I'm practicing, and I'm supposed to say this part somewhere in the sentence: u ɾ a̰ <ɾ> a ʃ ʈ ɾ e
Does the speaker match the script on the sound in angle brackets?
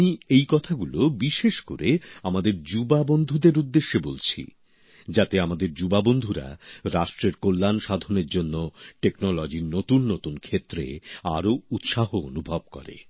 yes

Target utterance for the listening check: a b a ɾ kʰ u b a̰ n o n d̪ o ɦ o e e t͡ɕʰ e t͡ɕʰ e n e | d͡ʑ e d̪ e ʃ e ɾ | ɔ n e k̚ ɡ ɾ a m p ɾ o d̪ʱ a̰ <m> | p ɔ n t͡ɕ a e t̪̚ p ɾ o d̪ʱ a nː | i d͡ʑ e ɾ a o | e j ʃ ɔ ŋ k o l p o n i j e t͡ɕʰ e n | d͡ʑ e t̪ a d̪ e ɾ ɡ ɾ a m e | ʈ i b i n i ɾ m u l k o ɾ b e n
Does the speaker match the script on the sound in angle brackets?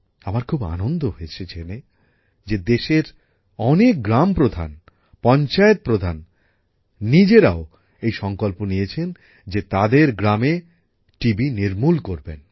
no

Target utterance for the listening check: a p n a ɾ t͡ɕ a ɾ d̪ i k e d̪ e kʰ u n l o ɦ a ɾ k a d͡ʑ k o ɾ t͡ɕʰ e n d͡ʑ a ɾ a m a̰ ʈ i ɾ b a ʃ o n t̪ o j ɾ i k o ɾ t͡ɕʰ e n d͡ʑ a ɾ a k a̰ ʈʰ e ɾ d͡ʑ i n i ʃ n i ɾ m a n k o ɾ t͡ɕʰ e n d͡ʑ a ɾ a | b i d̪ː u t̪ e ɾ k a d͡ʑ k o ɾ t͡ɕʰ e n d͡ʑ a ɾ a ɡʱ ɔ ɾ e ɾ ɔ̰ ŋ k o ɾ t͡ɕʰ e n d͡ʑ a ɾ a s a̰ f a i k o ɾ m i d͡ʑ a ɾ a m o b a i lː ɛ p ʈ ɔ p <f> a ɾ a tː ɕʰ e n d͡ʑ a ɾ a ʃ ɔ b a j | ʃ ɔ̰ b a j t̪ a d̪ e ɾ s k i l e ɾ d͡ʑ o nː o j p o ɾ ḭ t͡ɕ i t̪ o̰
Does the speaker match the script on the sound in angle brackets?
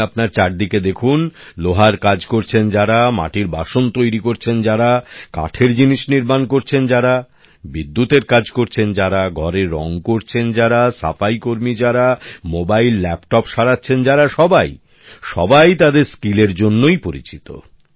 no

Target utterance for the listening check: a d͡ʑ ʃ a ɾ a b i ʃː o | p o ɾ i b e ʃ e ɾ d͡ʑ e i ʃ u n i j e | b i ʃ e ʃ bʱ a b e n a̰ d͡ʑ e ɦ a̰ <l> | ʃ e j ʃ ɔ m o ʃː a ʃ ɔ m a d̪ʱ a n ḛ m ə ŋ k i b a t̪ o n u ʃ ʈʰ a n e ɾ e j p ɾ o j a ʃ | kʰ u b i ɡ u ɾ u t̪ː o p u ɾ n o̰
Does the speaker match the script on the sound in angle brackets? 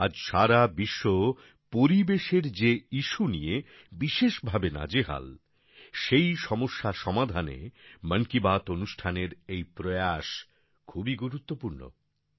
yes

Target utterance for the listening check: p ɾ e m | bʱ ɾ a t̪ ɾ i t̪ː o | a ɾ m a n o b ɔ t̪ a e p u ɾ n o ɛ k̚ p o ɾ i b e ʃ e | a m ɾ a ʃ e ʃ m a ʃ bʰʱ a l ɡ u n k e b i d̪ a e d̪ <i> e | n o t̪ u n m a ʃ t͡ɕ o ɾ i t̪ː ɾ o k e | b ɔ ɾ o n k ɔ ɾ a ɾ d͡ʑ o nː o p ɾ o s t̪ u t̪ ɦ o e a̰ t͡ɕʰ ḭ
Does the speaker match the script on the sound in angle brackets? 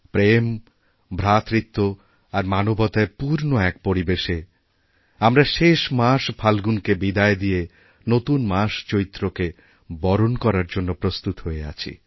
yes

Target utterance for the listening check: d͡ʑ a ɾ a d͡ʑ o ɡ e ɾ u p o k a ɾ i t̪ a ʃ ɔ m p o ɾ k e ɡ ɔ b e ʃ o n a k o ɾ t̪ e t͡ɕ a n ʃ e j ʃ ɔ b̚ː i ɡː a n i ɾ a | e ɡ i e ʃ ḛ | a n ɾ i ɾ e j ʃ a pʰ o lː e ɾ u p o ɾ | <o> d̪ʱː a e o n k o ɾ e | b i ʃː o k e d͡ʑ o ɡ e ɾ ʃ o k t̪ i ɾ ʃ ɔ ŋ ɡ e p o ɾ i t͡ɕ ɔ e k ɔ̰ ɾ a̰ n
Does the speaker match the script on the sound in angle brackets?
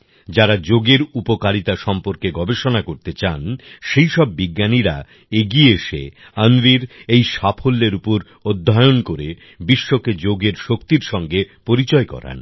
yes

